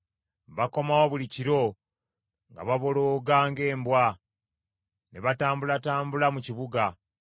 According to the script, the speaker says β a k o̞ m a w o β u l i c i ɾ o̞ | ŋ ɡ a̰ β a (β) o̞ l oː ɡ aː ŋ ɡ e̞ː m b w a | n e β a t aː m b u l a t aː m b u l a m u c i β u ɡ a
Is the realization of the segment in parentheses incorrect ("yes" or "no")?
no